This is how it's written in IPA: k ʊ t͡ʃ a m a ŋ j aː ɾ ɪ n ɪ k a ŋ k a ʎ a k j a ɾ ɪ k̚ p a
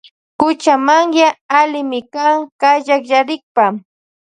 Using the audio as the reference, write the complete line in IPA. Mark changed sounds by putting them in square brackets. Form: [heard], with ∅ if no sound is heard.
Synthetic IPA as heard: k ʊ t͡ʃ a m a ŋ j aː [l] ɪ [m] ɪ k a ŋ k a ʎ a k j a ɾ ɪ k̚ p a